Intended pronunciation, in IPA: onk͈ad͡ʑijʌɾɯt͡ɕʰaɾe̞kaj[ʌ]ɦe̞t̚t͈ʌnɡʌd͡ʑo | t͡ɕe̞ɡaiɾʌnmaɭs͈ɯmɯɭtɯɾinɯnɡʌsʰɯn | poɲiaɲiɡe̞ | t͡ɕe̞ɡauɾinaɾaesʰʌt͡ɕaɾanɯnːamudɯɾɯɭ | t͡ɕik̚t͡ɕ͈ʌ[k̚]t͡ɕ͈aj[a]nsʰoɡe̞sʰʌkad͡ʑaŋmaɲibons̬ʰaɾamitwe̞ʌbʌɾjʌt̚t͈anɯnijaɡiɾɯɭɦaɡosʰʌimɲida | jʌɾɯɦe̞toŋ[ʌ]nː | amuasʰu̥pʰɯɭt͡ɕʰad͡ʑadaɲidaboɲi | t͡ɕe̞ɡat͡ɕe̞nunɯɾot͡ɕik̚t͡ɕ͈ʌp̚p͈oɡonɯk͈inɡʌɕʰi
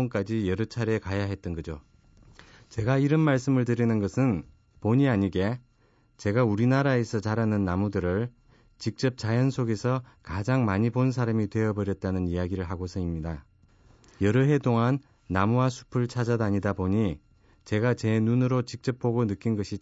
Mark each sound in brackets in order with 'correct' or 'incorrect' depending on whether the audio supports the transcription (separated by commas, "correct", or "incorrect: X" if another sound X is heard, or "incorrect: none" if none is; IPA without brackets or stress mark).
incorrect: a, incorrect: p̚, incorrect: ʌ, incorrect: a